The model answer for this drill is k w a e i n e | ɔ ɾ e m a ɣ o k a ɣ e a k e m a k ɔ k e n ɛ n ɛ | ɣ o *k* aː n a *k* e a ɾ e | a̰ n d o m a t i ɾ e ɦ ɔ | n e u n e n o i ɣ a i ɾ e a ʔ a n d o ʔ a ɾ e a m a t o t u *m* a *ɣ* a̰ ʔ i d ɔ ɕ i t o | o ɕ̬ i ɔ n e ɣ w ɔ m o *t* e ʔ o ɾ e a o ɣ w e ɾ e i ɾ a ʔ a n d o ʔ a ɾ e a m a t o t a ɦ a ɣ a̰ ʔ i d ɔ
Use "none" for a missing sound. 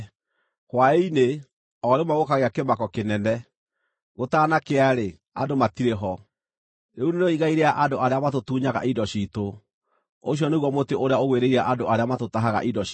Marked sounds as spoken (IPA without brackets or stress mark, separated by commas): t, k, ɲ, ɣ, t